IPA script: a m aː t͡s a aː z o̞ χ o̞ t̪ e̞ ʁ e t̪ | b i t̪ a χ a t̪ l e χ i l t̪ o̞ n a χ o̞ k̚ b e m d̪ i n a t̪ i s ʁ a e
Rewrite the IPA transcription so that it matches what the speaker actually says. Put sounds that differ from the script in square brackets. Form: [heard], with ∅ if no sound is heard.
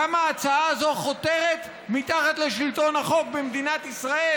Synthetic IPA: a m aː t͡s a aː z o̞ χ o̞ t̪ e̞ ʁ e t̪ | [m] i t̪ a χ a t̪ l e [ʃ] i l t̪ o̞ n a χ o̞ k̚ b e m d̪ i n a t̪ i s ʁ a e